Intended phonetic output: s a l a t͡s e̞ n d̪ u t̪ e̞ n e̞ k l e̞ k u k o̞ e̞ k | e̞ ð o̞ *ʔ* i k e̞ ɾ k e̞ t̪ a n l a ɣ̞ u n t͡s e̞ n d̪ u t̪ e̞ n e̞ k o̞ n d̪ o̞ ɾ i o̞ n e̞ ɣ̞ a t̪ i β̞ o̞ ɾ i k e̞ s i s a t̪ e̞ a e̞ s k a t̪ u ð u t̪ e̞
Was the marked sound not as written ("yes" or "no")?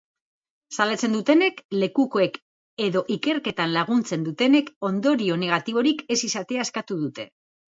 no